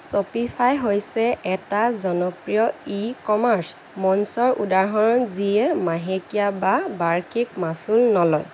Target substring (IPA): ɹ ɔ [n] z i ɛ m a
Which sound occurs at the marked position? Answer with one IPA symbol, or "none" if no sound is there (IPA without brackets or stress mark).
n